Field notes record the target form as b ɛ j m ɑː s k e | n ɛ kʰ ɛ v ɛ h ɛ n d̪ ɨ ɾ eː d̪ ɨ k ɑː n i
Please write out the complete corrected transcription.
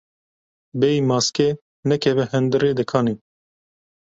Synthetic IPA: b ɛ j m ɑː s k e | n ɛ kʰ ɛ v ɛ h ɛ n d̪ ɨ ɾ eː d̪ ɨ kʰ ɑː n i